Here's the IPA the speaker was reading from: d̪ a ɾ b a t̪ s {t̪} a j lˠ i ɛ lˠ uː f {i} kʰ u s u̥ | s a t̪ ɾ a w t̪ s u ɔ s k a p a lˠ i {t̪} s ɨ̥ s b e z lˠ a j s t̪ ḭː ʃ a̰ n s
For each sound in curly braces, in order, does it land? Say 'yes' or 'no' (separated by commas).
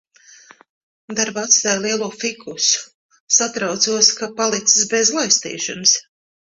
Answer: yes, yes, yes